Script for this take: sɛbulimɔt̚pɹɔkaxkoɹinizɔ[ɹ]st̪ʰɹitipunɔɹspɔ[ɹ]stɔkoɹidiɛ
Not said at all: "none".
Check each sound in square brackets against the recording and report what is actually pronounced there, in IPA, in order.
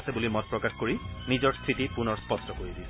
ɹ, none

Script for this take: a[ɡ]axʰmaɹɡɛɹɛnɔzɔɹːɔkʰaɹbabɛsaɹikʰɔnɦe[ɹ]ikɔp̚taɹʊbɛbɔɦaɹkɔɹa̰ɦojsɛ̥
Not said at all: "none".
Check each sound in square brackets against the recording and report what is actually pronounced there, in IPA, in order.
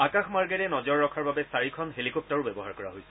k, l

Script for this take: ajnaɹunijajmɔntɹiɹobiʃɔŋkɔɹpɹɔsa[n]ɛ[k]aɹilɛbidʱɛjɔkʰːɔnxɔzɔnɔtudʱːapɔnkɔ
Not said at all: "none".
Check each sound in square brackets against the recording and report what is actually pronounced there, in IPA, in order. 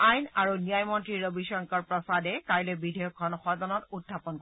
d, k

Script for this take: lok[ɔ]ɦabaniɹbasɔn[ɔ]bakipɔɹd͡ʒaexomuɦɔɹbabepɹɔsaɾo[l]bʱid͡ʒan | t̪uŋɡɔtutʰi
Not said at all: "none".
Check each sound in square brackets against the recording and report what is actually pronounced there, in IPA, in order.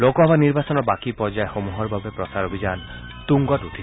ɔ, ɔ, none

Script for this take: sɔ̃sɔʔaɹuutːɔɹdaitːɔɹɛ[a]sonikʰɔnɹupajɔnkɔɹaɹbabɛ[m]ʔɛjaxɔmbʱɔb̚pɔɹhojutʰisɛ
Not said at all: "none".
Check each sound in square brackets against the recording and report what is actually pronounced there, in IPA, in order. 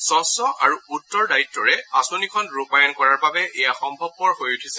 a, none

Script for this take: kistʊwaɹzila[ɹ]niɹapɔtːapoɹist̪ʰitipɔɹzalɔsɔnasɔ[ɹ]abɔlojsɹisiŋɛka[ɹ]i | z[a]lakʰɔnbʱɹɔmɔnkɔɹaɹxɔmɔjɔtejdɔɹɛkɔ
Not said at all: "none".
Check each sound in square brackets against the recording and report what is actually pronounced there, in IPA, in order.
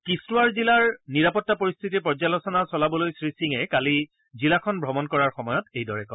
ɹ, l, l, i

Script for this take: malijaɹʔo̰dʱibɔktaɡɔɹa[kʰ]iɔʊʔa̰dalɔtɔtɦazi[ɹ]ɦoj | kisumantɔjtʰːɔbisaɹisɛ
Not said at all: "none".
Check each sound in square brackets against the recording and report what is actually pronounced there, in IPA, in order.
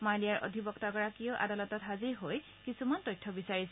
k, ɹ

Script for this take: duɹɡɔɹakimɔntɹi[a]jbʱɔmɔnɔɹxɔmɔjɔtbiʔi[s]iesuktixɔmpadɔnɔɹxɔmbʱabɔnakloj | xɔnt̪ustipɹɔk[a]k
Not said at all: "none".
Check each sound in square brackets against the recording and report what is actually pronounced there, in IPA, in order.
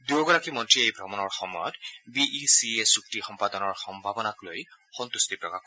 e, s, a

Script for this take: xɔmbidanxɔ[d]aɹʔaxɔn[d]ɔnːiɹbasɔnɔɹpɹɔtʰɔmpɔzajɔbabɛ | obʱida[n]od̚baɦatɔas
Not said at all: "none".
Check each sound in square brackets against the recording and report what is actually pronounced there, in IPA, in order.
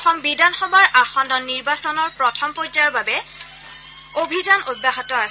b, d, n

